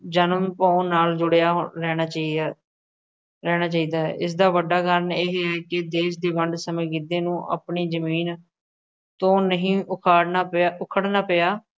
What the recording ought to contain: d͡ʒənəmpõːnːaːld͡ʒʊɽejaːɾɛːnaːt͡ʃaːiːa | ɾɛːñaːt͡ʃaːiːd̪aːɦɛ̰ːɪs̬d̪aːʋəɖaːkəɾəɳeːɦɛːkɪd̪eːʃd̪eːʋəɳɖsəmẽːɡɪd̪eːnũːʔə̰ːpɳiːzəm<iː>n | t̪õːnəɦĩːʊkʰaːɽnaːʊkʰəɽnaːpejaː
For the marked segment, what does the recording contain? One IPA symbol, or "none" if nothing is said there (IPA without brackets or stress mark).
iː